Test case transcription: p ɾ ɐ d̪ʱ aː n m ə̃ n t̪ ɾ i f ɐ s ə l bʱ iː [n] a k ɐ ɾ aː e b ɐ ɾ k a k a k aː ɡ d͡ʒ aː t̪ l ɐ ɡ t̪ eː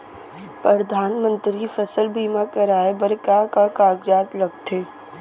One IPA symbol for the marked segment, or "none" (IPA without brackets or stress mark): m